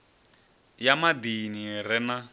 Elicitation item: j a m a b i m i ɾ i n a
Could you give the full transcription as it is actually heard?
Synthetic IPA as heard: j a m a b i n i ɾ ɛ n a